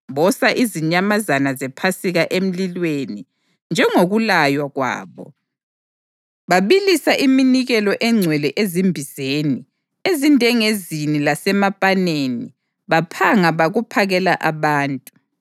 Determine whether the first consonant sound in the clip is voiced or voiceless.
voiced